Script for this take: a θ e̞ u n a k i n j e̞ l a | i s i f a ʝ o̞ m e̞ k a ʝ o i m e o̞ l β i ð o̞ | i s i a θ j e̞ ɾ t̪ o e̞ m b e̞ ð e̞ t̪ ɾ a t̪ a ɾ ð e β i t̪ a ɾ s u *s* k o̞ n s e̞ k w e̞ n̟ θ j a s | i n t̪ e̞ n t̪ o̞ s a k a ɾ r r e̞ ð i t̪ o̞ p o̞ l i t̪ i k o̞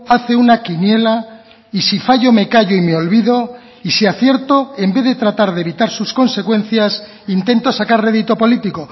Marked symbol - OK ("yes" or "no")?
yes